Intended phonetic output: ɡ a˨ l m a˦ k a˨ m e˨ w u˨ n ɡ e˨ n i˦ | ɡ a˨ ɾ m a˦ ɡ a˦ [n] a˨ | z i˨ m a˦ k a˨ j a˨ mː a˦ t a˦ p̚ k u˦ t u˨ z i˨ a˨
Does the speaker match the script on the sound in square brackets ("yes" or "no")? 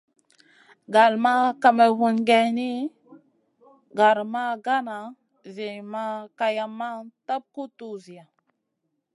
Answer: yes